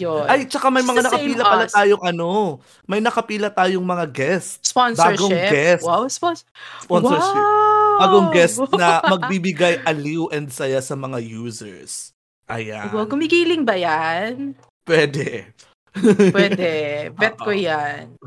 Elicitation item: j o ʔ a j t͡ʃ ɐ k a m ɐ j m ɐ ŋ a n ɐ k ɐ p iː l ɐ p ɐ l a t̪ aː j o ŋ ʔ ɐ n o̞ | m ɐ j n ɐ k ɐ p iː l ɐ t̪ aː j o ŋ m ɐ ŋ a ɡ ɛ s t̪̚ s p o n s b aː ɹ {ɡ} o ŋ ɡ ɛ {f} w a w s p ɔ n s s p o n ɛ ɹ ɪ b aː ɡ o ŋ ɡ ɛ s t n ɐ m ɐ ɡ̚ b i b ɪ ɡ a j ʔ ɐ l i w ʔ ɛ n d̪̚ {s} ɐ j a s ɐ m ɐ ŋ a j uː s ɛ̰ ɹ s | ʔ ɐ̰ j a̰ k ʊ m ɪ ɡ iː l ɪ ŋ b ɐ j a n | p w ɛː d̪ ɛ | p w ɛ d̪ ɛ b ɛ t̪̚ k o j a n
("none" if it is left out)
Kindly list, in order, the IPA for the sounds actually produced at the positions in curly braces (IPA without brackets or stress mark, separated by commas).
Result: ɡ, s, s